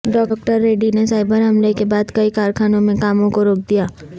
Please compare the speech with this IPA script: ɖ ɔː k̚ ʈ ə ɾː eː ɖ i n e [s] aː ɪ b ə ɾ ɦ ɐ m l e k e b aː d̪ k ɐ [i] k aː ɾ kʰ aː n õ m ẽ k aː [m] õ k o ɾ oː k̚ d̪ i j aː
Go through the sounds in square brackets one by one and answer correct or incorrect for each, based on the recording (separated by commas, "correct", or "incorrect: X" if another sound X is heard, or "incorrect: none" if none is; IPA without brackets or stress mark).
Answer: correct, correct, correct